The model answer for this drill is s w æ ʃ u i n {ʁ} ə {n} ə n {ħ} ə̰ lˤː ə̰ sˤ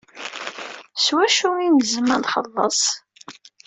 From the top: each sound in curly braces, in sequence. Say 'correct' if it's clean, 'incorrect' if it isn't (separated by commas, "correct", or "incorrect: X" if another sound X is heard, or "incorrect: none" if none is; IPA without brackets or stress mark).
incorrect: z, incorrect: m, incorrect: χ